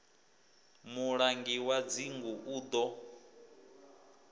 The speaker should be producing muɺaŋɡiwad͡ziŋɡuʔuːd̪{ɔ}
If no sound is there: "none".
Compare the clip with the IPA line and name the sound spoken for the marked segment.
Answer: ɔ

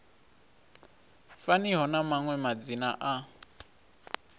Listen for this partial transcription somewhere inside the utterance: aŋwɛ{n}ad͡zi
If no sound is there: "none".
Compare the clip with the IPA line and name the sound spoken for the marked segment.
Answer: m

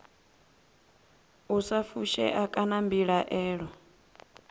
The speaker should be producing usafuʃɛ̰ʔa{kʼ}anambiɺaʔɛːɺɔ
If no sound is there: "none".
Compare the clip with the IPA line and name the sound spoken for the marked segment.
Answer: kʼ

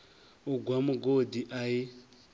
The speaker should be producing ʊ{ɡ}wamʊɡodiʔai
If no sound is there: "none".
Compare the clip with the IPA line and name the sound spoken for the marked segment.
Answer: ɡ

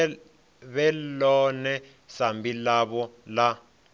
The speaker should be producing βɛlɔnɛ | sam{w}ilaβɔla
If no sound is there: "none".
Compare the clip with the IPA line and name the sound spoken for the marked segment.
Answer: b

